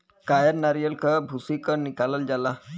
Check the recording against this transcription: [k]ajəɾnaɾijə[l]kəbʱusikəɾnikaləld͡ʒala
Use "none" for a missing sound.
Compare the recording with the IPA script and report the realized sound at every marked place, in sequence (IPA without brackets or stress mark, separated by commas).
k, l